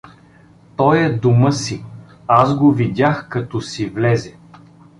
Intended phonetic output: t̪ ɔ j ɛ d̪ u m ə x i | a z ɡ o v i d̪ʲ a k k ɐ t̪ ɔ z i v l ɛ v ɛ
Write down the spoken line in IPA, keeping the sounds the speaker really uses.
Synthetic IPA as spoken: t̪ ɔ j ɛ d̪ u m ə s i | a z ɡ o v i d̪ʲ a x k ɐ t̪ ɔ s i v l ɛ z ɛ